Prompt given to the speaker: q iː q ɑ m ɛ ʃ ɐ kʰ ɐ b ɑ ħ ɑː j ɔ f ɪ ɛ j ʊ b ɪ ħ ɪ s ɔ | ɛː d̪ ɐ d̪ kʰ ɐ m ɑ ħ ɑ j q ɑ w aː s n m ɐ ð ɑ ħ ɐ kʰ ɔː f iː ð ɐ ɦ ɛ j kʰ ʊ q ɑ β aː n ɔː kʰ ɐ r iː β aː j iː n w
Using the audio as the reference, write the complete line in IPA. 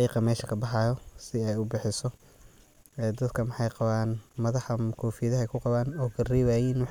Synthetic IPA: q iː q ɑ m ɛː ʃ ɐ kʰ ɐ b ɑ ħ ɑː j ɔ s ɪ ɛ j ʊ b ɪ ħ ɪ s ɔ | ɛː d̪ ɐ d̪ kʰ ɐ m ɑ ħ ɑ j q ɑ β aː n m ɐ ð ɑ ħ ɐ kʰ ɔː f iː ð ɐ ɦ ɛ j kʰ ʊ q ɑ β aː n ɔː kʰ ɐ r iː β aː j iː n w

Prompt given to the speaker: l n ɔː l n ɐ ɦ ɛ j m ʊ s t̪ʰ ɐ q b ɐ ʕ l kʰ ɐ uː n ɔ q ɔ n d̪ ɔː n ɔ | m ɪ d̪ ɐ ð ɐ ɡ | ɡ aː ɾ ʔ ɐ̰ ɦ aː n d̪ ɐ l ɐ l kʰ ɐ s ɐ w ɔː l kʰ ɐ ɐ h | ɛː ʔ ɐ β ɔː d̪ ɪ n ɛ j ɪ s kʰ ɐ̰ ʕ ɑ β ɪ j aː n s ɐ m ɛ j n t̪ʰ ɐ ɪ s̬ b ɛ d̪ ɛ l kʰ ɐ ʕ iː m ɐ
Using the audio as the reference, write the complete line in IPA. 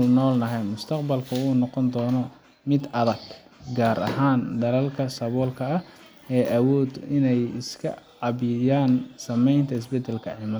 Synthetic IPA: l n ɔː l n ɐ ɦ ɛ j m ʊ s t̪ʰ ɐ q b ɐ l kʰ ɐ uː n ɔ q ɔ n d̪ ɔː n ɔ | m ɪ d̪ ɐ ð ɐ ɡ | ɡ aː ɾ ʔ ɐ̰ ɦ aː n d̪ ɐ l ɐ l kʰ ɐ s ɐ β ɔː l kʰ ɐ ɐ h | ɛː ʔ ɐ w ɔː d̪ ɪ n ɛ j ɪ s kʰ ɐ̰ ʕ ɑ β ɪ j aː n s ɐ m ɛ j n t̪ʰ ɐ ɪ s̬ b ɛ d̪ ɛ l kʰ ɐ ʕ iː m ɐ

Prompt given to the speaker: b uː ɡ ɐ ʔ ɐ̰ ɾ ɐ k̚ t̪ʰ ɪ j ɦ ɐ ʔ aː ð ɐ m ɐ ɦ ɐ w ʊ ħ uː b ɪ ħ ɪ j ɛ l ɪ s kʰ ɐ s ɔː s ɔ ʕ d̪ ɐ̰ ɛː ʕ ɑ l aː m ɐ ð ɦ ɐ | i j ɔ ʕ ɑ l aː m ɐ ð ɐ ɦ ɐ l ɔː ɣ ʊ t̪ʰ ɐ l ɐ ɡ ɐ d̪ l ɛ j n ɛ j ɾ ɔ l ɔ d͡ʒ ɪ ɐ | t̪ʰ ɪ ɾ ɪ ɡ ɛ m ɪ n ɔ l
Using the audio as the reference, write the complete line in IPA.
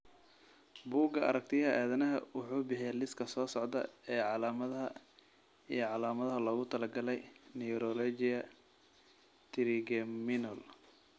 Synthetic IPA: b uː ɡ ɐ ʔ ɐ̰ ɾ ɐ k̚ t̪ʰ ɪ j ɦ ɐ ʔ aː ð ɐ n ɐ ɦ ɐ w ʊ ħ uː b ɪ ħ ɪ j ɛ l ɪ s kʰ ɐ s ɔː s ɔ ʕ d̪ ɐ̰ ɛː ʕ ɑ l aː m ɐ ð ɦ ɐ | i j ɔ ʕ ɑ l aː m ɐ ð ɐ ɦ ɐ l ɔː ɣ ʊ t̪ʰ ɐ l ɐ ɡ ɐ l ɛ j n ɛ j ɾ ɔ l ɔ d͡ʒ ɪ ɐ | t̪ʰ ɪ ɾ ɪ ɡ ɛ m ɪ n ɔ l

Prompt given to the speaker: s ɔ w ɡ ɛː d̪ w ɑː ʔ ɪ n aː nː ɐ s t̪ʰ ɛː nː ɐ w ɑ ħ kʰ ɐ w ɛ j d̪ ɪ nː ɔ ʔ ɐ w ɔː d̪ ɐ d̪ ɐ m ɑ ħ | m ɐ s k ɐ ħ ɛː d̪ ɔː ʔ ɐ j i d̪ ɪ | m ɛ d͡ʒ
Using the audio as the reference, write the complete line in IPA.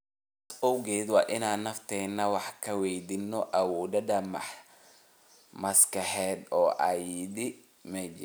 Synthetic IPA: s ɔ w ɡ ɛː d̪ w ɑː ʔ ɪ n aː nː ɐ f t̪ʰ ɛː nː ɐ w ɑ ħ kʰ ɐ w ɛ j d̪ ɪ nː ɔ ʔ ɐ w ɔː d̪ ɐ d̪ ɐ m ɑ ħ | m ɐ s k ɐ ħ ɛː d̪ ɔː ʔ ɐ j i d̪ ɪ | m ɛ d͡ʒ

